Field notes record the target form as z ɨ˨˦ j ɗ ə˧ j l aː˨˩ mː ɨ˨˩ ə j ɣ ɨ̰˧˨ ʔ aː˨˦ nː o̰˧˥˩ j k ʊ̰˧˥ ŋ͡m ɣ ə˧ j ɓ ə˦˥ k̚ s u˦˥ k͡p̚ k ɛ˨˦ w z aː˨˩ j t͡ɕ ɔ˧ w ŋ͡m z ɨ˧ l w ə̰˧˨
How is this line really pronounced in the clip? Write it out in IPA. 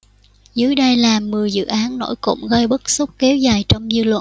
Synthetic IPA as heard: z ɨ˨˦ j ɗ ə˧ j l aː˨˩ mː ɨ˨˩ ə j z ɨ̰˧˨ ʔ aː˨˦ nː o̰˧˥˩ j k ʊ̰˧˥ ŋ͡m ɣ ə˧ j ɓ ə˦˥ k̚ s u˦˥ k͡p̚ k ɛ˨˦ w z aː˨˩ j t͡ɕ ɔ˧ w ŋ͡m z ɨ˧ l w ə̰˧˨